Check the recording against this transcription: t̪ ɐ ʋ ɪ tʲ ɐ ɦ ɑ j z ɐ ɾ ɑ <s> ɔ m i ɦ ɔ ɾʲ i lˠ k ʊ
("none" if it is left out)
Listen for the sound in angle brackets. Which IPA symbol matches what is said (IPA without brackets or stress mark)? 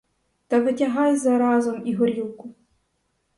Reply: z